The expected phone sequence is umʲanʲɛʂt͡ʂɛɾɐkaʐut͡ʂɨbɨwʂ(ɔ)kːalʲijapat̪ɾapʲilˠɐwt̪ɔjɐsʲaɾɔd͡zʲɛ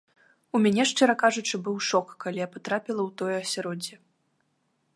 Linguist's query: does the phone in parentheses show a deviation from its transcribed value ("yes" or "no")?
no